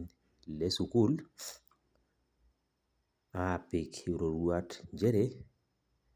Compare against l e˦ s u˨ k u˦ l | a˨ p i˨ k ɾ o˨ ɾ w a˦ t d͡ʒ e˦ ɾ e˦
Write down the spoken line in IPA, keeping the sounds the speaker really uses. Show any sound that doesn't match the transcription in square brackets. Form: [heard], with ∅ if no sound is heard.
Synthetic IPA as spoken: l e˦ s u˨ k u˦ l | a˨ p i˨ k ɾ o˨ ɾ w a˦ t d͡ʒ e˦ ɾ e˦